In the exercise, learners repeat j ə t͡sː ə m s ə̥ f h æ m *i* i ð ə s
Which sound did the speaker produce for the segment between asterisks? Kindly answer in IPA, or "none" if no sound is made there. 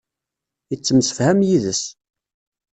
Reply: j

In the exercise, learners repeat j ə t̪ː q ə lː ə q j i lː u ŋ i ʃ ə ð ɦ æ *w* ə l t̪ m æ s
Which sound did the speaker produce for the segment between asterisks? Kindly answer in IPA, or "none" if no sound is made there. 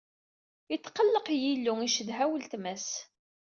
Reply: w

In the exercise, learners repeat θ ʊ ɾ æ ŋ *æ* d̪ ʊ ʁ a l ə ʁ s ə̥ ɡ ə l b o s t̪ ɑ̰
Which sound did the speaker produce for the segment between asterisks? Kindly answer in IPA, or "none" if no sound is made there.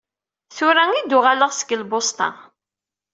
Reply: i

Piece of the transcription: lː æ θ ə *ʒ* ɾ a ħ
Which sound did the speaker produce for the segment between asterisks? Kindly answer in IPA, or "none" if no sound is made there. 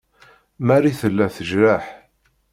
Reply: ʒ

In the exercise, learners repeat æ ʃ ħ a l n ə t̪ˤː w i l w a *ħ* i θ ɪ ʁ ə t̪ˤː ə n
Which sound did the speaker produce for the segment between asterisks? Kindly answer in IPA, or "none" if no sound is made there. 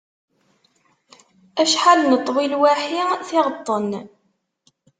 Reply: ħ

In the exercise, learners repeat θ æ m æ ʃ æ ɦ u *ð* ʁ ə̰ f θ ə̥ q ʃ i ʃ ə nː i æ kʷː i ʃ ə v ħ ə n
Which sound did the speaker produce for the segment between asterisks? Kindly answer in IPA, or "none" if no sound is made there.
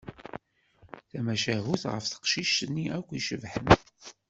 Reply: θ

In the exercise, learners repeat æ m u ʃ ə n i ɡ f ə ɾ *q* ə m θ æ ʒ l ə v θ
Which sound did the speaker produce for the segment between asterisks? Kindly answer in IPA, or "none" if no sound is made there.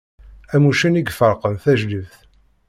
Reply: q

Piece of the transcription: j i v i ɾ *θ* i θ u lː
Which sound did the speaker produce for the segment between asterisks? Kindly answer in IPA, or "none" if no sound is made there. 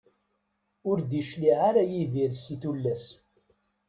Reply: s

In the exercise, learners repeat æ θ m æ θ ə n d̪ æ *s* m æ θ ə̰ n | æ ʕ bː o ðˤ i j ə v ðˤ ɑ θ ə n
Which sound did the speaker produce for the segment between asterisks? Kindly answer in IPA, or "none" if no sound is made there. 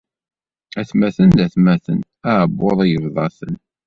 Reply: θ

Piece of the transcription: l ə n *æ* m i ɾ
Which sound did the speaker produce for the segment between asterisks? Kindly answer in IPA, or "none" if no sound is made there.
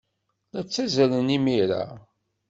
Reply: i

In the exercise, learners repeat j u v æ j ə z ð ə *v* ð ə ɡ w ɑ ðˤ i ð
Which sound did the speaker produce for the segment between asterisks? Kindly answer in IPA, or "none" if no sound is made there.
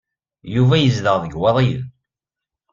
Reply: ʁ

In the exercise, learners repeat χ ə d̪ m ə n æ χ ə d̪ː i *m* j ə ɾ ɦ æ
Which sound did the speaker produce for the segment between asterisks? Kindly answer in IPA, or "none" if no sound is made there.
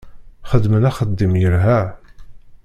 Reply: m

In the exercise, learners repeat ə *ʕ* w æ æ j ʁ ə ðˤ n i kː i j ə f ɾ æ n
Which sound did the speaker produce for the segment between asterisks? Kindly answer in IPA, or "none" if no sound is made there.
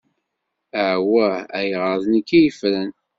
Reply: ʕ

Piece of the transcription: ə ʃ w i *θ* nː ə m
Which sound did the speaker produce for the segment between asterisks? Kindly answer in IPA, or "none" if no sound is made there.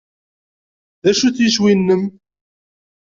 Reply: none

